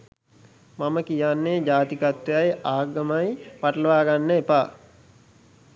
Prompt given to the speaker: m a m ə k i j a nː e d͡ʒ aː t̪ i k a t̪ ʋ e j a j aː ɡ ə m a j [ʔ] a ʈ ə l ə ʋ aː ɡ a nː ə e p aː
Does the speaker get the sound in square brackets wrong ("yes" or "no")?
yes